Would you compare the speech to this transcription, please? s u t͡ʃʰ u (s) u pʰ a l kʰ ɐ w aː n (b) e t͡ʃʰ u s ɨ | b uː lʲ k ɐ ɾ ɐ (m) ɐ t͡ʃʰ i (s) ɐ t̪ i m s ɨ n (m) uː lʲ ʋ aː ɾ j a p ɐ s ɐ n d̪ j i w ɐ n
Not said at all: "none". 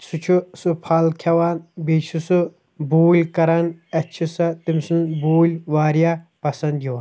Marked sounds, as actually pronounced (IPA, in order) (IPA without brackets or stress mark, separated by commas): s, b, n, s, b